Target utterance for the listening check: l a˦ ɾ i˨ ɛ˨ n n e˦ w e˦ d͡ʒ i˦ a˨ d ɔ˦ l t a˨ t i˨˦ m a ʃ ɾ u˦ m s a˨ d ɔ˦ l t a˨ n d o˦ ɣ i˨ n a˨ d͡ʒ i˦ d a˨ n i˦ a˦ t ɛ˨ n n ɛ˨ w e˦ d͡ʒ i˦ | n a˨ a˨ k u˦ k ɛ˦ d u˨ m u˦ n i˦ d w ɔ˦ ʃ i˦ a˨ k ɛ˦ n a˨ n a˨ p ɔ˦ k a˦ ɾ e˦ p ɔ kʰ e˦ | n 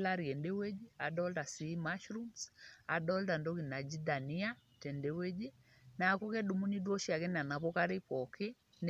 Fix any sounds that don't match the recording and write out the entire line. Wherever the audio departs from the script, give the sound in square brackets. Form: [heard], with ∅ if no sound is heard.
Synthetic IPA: l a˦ ɾ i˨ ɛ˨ n [d] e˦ w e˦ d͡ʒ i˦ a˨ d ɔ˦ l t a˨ [s] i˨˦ m a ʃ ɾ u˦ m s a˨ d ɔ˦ l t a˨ n d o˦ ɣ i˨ n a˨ d͡ʒ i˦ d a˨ n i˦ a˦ t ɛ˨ n [d] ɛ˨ w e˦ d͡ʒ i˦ | n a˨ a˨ k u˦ k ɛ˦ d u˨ m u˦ n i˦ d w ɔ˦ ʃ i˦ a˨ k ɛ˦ n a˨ n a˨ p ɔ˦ k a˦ ɾ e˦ p ɔ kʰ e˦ | n

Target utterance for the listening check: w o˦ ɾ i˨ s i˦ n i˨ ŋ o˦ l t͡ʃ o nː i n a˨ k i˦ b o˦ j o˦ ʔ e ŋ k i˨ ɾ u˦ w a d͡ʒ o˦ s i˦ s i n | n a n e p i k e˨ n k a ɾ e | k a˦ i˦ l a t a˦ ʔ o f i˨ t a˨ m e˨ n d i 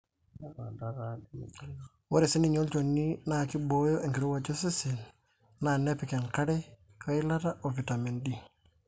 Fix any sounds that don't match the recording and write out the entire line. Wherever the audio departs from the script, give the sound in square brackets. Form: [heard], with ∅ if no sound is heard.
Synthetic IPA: w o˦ ɾ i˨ s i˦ n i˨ [ɲ] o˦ l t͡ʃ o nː i n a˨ k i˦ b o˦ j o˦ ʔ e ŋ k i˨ ɾ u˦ w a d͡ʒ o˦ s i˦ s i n | n a n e p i k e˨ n k a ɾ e | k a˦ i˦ l a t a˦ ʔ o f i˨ t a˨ m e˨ n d i

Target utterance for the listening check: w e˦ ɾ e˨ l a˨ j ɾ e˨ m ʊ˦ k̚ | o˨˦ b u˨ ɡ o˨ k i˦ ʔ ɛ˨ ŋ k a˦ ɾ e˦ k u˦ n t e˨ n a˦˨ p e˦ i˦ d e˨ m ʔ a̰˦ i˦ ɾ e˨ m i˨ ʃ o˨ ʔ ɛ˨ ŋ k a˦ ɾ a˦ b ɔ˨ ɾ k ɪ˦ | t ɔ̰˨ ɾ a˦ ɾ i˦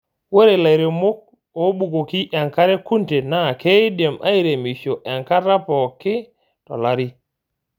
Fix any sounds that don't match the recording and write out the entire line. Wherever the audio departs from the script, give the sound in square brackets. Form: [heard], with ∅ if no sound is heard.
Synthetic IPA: w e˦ ɾ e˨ l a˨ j ɾ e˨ m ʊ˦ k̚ | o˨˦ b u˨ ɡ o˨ k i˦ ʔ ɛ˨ ŋ k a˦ ɾ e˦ k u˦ n t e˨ n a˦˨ [k] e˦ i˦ d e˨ m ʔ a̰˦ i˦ ɾ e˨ m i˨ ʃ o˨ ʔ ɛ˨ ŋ k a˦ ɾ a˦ [p] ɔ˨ [∅] k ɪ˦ | t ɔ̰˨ [l] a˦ ɾ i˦

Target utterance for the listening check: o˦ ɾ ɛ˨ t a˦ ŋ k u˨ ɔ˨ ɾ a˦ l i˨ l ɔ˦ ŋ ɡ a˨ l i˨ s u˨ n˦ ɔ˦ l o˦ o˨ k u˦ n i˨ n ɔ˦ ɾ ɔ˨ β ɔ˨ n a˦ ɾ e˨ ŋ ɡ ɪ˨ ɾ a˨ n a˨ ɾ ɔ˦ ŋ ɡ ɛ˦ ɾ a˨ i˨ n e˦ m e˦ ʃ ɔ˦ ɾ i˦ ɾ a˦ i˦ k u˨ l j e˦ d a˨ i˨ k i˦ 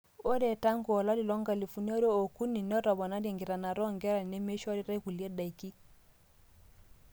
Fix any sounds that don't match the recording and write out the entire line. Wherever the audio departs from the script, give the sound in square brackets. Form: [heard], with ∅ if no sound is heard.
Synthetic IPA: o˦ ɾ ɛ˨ t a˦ ŋ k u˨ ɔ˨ [l] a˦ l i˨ l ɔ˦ ŋ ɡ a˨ l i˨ [f] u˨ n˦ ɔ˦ [ɾ] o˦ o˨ k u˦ n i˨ n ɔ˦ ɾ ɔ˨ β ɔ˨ n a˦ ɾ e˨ ŋ ɡ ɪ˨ ɾ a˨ n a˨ ɾ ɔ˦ ŋ ɡ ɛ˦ ɾ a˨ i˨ n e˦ m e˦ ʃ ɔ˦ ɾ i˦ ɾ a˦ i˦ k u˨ l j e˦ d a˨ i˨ k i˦

